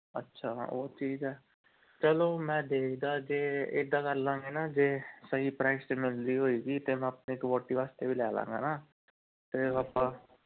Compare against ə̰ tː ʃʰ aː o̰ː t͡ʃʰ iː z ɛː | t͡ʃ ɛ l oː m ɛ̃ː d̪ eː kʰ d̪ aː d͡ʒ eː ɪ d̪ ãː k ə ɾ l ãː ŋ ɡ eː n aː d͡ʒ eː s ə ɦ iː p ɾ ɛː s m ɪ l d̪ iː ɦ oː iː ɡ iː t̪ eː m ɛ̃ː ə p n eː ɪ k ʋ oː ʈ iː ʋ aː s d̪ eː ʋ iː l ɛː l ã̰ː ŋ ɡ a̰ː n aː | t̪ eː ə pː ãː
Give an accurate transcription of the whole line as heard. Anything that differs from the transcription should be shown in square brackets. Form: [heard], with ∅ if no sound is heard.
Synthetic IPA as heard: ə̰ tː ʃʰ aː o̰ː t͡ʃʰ iː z ɛː | t͡ʃ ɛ l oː m ɛ̃ː d̪ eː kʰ d̪ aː d͡ʒ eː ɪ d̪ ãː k ə ɾ l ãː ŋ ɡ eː n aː d͡ʒ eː s ə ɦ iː p ɾ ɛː s m ɪ l d̪ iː ɦ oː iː ɡ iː t̪ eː m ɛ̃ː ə p n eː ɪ k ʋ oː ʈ iː ʋ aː s [t̪] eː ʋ iː l ɛː l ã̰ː ŋ ɡ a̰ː n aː | t̪ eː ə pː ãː

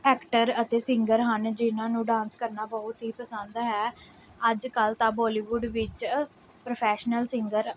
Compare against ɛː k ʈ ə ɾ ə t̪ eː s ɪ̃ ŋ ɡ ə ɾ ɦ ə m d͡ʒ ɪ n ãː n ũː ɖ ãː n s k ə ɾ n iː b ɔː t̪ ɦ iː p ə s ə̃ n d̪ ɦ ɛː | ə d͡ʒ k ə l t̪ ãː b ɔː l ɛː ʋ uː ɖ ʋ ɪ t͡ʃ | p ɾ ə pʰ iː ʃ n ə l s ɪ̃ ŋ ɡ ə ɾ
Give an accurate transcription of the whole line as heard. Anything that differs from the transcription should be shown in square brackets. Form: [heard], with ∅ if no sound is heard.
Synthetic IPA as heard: ɛː k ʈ ə ɾ ə t̪ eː s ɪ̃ ŋ ɡ ə ɾ ɦ ə [n] d͡ʒ ɪ n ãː n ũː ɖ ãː n s k ə ɾ n [aː] b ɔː t̪ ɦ iː p ə s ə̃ n d̪ ɦ ɛː | ə d͡ʒ k ə l t̪ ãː b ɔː l [iː] ʋ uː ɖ ʋ ɪ t͡ʃ | p ɾ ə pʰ [ɛː] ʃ n ə l s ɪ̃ ŋ ɡ ə ɾ

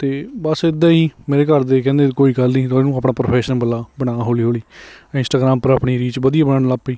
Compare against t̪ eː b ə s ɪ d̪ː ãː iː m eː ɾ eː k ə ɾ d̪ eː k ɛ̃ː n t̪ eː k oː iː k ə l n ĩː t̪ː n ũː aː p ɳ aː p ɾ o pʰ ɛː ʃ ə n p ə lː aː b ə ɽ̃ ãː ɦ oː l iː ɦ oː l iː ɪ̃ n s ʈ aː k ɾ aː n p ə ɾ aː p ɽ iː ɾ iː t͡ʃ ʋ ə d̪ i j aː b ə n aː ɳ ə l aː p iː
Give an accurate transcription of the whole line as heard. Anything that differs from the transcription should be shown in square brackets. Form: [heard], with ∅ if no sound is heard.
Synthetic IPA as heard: t̪ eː b ə s ɪ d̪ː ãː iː m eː ɾ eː k ə ɾ d̪ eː k ɛ̃ː n [d̪] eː k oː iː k ə l n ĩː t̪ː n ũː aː p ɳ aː p ɾ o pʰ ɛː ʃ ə n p ə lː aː b ə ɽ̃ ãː ɦ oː l iː ɦ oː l iː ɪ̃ n s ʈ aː [ɡ] ɾ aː [m] p ə ɾ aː p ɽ iː ɾ iː t͡ʃ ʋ ə d̪ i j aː b ə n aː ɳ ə l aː p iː

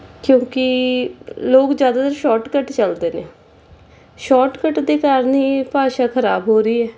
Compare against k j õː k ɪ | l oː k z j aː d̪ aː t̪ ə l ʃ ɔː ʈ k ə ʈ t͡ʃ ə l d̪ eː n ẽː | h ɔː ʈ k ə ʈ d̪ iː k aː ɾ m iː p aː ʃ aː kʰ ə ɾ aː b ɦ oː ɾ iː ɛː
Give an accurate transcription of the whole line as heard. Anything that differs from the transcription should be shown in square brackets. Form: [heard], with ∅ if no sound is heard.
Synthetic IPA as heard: k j õː k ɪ | l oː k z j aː d̪ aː t̪ ə [ɾ] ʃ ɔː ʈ k ə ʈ t͡ʃ ə l d̪ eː n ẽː | [ʃ] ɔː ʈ k ə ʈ d̪ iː k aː ɾ [n] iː p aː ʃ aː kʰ ə ɾ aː b ɦ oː ɾ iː ɛː

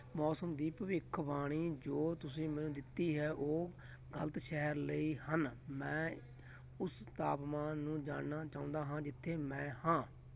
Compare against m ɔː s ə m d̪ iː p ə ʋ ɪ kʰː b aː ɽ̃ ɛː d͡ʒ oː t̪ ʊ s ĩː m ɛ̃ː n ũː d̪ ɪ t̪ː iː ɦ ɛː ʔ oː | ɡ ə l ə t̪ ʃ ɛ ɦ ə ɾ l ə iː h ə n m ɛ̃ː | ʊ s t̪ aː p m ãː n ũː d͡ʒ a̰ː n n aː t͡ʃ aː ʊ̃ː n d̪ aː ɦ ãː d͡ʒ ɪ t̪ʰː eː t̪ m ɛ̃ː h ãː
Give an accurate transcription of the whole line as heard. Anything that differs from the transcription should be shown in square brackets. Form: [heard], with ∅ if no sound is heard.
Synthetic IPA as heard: m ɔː s ə m d̪ iː p ə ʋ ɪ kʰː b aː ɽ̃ [iː] d͡ʒ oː t̪ ʊ s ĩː m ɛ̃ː n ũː d̪ ɪ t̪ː iː ɦ ɛː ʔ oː | ɡ ə l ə t̪ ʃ ɛ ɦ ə ɾ l ə iː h ə n m ɛ̃ː | ʊ s t̪ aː p m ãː n ũː d͡ʒ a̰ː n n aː t͡ʃ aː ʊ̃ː n d̪ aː ɦ ãː d͡ʒ ɪ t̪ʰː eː [∅] m ɛ̃ː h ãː

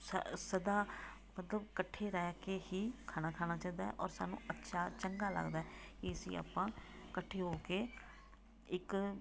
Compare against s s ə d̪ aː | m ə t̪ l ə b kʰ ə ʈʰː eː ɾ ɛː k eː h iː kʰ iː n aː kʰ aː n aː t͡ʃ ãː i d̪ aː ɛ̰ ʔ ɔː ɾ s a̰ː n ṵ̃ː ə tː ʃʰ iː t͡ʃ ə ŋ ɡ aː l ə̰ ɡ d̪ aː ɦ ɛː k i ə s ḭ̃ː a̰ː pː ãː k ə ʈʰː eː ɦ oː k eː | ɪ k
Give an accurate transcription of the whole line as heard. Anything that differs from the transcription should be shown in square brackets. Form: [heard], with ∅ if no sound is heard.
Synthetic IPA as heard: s s ə d̪ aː | m ə t̪ l ə b [k] ə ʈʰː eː ɾ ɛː k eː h iː kʰ [aː] n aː kʰ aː n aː t͡ʃ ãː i d̪ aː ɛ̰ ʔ ɔː ɾ s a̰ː n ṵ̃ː ə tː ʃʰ [aː] t͡ʃ ə ŋ ɡ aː l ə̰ ɡ d̪ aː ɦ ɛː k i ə s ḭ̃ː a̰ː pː ãː k ə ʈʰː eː ɦ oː k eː | ɪ k

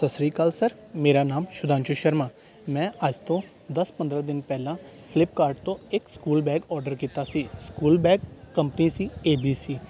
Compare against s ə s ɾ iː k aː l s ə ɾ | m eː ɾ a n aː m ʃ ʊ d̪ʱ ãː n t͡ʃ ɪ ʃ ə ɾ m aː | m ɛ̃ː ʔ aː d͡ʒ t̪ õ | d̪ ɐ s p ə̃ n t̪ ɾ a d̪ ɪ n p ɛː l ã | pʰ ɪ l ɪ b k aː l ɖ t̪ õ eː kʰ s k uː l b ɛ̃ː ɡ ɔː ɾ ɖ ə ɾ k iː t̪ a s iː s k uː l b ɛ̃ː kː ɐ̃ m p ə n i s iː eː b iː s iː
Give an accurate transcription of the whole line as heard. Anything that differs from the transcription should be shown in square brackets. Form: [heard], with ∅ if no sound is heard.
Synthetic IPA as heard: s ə s ɾ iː k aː l s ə ɾ | m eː ɾ a n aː m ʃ ʊ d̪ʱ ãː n t͡ʃ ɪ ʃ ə ɾ m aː | m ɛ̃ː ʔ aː d͡ʒ t̪ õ | d̪ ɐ s p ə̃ n [d̪] ɾ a d̪ ɪ n p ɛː l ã | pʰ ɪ l ɪ [p] k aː [ɾ] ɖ t̪ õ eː [k] s k uː l b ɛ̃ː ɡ ɔː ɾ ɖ ə ɾ k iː t̪ a s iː s k uː l b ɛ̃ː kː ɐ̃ m p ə n i s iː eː b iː s iː

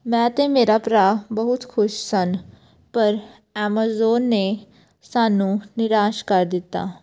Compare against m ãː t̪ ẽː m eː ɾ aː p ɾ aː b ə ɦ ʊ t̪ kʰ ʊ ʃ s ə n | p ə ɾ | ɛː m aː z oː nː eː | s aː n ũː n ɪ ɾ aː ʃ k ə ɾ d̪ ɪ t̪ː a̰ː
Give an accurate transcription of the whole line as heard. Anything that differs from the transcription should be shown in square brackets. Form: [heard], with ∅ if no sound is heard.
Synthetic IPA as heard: m [ɛ̃ː] t̪ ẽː m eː ɾ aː p ɾ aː b ə ɦ ʊ t̪ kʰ ʊ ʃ s ə n | p ə ɾ | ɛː m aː z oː nː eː | s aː n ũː n ɪ ɾ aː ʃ k ə ɾ d̪ ɪ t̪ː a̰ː

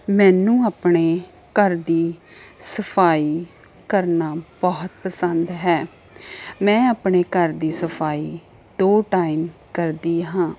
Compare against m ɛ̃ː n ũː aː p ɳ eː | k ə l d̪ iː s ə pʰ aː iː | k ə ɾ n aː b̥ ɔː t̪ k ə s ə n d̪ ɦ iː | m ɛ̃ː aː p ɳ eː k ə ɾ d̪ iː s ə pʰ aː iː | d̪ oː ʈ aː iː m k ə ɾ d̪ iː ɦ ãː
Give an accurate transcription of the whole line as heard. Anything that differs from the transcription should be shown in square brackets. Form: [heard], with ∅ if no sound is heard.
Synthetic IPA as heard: m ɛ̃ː n ũː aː p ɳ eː | k ə [ɾ] d̪ iː s ə pʰ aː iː | k ə ɾ n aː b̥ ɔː t̪ [p] ə s ə n d̪ ɦ [ɛː] | m ɛ̃ː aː p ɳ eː k ə ɾ d̪ iː s ə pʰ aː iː | d̪ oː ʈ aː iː m k ə ɾ d̪ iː ɦ ãː

